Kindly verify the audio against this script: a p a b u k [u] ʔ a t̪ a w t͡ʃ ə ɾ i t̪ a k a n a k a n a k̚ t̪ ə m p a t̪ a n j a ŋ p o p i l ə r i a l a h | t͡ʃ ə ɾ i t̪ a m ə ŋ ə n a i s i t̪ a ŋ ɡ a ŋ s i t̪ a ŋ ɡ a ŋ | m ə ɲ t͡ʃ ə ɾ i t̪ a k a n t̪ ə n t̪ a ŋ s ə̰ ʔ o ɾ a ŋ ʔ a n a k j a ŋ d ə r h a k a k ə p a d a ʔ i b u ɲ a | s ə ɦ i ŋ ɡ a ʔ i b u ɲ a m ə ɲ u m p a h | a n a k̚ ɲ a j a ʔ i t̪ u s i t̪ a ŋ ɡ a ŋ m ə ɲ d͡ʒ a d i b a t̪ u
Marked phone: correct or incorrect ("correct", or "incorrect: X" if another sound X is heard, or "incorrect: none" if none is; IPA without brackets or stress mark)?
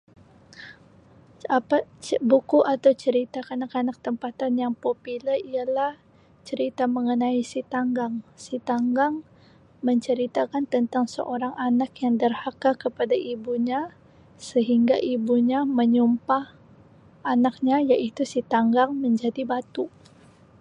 correct